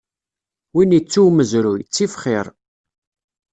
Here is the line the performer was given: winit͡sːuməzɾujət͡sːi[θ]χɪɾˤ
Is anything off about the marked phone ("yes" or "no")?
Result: yes